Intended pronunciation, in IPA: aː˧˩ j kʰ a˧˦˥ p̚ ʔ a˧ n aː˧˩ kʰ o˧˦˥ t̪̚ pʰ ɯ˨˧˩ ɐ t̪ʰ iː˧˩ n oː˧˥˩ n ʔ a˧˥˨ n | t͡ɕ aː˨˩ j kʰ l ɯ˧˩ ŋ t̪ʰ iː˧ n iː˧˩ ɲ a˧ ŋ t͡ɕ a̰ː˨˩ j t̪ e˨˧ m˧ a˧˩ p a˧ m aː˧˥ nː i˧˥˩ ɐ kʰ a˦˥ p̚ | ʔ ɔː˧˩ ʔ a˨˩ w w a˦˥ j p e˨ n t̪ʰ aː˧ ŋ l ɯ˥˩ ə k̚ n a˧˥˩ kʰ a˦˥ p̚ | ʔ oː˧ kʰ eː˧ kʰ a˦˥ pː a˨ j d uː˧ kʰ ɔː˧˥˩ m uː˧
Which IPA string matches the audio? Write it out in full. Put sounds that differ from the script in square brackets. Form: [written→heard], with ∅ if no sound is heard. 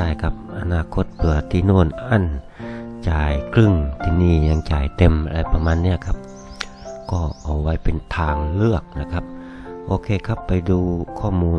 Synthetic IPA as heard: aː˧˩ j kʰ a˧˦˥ p̚ ʔ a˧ n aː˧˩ kʰ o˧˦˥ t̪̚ pʰ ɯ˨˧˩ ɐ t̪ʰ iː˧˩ n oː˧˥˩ n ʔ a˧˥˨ n | t͡ɕ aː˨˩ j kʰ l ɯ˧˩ ŋ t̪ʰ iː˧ n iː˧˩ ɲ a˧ ŋ t͡ɕ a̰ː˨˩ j t̪ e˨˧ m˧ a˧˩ p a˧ m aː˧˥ nː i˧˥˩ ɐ kʰ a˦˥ p̚ | [ʔ→k] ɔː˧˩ ʔ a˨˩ w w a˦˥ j p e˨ n t̪ʰ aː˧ ŋ l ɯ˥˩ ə k̚ n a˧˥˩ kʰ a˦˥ p̚ | ʔ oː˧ kʰ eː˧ kʰ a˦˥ pː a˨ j d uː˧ kʰ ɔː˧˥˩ m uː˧